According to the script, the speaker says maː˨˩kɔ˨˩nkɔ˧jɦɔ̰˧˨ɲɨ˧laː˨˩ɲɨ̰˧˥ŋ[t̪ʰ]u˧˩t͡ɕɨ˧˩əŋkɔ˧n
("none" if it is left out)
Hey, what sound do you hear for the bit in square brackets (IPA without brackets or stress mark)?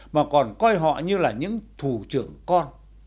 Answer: t̪ʰ